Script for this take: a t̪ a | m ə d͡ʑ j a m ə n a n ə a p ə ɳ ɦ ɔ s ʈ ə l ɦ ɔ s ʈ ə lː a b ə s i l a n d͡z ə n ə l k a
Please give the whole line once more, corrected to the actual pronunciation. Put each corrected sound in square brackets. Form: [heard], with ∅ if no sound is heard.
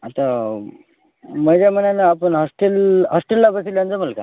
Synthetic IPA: a t̪ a | m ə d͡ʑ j a m ə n a n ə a p ə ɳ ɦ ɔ s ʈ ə l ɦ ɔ s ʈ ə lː a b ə s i l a n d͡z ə [m] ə l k a